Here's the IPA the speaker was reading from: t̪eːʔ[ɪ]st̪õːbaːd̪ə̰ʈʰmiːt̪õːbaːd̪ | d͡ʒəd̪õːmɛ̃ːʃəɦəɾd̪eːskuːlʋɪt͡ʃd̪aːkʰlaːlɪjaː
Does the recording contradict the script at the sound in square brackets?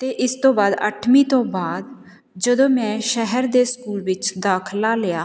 no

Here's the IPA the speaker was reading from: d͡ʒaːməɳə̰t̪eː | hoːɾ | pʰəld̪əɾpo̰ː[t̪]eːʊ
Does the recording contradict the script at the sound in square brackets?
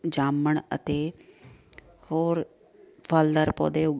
yes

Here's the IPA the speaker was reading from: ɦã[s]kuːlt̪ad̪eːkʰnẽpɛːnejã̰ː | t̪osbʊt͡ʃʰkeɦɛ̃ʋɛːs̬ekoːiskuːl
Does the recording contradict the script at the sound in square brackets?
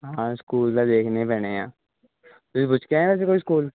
no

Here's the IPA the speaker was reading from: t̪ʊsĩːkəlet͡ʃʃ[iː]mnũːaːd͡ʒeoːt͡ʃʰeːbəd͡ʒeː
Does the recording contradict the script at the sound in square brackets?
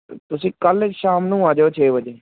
yes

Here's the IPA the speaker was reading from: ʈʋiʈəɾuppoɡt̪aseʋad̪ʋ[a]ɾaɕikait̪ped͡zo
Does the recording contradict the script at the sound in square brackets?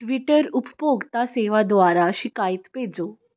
no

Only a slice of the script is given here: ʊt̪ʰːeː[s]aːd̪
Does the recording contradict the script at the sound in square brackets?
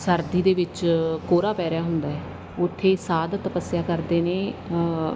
no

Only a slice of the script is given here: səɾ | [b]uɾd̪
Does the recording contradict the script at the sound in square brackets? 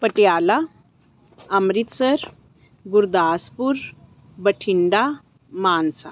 yes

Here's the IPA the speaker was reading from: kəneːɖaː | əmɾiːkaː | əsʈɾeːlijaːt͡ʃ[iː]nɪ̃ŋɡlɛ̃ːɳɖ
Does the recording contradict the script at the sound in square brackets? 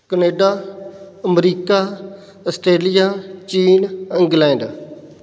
no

